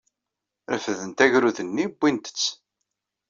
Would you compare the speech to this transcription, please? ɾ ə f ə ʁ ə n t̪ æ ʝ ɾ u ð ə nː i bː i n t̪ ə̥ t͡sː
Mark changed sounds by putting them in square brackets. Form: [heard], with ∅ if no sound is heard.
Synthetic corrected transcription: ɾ ə f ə [ð] ə n t̪ æ ʝ ɾ u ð ə nː i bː i n t̪ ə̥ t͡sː